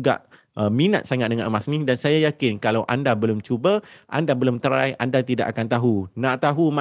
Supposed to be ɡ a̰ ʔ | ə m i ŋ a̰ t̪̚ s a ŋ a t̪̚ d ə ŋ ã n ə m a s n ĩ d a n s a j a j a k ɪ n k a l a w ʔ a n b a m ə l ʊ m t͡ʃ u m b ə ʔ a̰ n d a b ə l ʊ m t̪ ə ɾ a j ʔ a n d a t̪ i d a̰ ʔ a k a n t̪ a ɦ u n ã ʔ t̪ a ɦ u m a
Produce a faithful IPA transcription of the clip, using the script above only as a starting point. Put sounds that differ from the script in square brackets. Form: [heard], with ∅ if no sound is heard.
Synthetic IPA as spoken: ɡ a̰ ʔ | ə m i [n] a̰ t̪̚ s a ŋ a t̪̚ d ə ŋ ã n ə m a s n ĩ d a n s a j a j a k ɪ n k a l a w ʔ a n [d] a [b] ə l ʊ m t͡ʃ u [∅] b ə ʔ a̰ n d a b ə l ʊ m t̪ ə ɾ a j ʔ a n d a t̪ i d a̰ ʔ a k a n t̪ a ɦ u n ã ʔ t̪ a ɦ u m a